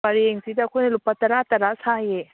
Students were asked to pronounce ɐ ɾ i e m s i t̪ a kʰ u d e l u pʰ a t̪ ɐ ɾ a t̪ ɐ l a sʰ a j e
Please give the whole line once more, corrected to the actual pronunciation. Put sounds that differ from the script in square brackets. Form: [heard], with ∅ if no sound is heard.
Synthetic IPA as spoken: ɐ ɾ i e [ŋ] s i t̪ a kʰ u [n] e l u [p] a t̪ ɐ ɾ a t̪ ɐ [ɾ] a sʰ a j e